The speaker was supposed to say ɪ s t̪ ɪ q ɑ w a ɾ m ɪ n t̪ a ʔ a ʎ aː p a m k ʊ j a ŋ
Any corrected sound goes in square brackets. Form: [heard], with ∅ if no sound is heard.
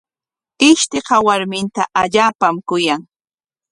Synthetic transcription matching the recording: ɪ [ʃ] t̪ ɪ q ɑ w a ɾ m ɪ n t̪ a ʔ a ʎ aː p a m k ʊ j a ŋ